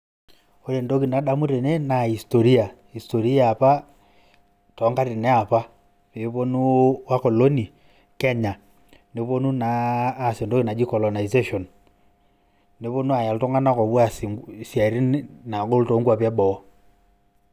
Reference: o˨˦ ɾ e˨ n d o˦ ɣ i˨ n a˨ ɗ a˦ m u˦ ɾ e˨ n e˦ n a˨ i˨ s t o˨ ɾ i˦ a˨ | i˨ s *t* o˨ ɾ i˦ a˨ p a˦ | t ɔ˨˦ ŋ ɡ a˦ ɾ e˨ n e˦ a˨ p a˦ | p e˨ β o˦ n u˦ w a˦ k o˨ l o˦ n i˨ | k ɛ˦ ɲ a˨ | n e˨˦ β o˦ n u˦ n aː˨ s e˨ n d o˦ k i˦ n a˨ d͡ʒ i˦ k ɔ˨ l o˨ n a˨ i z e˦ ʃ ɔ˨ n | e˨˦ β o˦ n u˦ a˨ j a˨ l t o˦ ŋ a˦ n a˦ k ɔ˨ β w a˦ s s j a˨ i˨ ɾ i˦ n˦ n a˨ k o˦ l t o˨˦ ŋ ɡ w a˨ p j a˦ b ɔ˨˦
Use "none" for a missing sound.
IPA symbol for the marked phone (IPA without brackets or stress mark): t